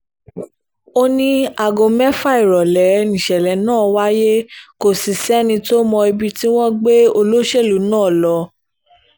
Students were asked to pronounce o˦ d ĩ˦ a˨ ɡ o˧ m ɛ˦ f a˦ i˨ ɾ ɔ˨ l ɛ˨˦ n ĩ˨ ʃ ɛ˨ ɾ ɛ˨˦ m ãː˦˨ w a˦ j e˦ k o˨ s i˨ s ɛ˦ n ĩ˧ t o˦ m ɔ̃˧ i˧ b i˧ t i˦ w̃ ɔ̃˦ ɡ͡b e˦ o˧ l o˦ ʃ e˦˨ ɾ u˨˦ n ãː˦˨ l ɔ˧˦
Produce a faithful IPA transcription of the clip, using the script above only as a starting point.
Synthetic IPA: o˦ n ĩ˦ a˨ ɡ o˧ m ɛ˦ f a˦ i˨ ɾ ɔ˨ l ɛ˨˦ n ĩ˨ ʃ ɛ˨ l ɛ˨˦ n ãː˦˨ w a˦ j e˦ k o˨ s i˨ s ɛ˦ n ĩ˧ t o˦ m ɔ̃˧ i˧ b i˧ t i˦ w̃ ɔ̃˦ ɡ͡b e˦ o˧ l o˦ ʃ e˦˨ l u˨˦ n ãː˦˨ l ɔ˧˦